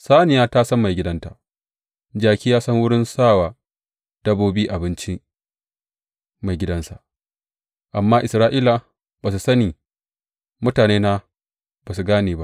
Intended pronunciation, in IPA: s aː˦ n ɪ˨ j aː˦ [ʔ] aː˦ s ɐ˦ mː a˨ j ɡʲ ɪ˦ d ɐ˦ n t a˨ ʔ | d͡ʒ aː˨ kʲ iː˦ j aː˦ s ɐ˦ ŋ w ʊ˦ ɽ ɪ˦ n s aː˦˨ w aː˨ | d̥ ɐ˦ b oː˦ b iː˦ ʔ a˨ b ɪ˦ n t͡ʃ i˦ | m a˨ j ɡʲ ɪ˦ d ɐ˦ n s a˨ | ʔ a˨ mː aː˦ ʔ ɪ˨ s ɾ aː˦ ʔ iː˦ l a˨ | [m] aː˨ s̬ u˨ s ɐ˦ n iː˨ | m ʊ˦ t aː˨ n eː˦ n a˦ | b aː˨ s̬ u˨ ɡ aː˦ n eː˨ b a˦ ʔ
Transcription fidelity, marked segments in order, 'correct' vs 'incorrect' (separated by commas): incorrect, incorrect